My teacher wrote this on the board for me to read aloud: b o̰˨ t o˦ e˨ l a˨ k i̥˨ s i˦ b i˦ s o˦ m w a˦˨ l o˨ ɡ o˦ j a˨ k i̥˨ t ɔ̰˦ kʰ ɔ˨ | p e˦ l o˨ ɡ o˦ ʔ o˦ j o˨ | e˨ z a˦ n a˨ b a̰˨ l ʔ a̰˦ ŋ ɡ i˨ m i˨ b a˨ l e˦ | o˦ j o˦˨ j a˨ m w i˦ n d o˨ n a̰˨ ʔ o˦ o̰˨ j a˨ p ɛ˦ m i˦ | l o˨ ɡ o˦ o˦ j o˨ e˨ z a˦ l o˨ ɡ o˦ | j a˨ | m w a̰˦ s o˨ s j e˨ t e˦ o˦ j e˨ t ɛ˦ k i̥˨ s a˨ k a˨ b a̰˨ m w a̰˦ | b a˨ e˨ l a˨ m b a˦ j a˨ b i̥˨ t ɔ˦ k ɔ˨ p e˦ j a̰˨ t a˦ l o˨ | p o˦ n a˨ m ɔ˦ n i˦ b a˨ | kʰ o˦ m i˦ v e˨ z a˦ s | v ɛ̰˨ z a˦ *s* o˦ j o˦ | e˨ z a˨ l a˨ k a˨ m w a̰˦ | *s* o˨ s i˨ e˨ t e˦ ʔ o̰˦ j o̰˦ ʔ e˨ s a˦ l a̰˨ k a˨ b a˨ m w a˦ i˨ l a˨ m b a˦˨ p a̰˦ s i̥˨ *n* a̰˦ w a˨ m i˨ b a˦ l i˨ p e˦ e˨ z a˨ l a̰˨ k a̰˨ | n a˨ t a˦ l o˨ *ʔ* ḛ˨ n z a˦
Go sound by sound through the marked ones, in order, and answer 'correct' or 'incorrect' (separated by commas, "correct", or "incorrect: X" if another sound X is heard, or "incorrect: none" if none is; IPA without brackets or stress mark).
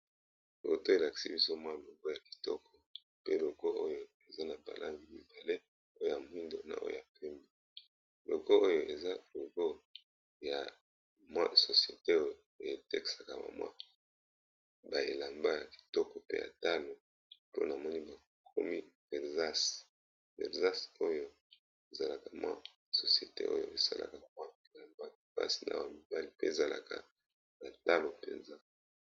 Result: correct, correct, correct, incorrect: p